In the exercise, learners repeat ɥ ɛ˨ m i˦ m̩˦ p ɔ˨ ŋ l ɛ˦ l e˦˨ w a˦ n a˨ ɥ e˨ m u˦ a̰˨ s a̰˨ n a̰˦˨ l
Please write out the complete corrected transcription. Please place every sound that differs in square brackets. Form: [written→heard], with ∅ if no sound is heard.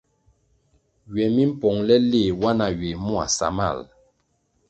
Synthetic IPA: ɥ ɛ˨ m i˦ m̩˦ p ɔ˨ ŋ l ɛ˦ l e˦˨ w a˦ n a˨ ɥ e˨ m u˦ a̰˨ s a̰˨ [n→m] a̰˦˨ l